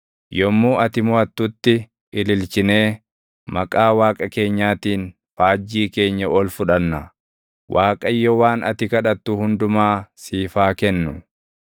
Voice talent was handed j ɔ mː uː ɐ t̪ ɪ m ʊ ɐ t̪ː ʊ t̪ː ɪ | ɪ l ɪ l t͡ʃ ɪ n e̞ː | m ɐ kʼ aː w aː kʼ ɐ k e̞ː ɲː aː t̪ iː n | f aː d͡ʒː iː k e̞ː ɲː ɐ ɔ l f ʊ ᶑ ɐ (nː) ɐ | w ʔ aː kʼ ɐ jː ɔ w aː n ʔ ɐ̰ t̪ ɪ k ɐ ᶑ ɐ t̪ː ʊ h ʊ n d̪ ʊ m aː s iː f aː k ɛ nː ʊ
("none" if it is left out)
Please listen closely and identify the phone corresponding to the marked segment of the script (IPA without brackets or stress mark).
nː